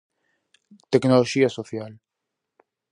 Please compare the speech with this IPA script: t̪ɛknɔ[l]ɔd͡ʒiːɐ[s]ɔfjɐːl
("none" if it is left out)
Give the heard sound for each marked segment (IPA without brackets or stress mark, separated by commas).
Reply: l, s